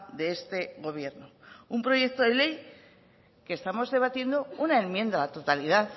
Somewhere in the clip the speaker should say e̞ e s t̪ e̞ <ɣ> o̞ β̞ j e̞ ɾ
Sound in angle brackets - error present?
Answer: no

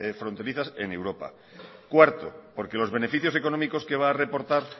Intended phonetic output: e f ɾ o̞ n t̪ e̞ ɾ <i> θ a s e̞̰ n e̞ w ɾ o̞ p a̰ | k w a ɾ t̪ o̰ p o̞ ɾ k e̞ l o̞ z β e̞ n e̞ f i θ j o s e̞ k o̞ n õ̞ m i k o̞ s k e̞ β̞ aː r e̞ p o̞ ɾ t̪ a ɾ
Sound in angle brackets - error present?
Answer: no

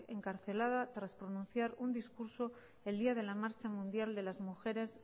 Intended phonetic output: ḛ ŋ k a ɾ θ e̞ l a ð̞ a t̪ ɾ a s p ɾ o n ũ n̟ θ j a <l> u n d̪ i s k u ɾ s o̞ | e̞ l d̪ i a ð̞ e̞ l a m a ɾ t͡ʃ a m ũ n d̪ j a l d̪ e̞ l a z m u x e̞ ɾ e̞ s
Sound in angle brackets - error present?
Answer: yes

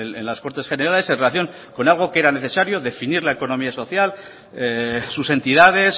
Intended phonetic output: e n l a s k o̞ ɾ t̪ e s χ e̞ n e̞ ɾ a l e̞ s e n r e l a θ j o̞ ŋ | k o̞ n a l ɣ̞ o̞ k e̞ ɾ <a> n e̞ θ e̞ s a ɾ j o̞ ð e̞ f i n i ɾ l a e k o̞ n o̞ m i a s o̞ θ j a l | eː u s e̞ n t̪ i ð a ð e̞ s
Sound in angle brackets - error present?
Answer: no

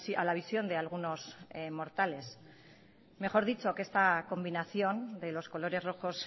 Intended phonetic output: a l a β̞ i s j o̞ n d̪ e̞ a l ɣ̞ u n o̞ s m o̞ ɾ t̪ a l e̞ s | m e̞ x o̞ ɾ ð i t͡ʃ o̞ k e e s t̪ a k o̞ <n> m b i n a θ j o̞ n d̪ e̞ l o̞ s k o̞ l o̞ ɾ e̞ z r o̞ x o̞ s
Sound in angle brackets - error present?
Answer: yes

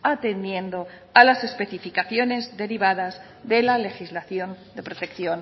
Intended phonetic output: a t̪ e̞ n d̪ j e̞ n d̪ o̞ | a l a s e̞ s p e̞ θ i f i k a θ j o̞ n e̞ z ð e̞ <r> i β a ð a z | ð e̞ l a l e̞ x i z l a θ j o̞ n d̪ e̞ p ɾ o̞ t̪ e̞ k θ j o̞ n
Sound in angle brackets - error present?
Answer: yes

